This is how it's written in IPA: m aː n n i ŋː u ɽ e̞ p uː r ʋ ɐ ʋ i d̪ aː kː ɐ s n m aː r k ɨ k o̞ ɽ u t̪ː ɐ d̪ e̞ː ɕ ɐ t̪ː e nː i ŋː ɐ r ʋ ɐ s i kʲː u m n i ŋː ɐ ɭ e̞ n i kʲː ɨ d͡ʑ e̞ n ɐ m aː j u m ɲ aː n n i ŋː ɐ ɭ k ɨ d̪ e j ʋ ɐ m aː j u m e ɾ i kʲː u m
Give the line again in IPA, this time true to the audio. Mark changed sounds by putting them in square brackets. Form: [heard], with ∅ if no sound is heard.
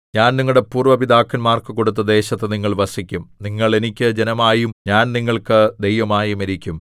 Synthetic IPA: [ɲ] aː n n i ŋː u ɽ e̞ p uː r ʋ ɐ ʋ i d̪ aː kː ɐ [∅] n m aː r k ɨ k o̞ ɽ u t̪ː ɐ d̪ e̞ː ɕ ɐ t̪ː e [n] i ŋː ɐ [ɭ] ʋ ɐ s i kʲː u m n i ŋː ɐ ɭ e̞ n i kʲː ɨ d͡ʑ e̞ n ɐ m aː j u m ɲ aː n n i ŋː ɐ ɭ k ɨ d̪ e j ʋ ɐ m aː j u m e ɾ i kʲː u m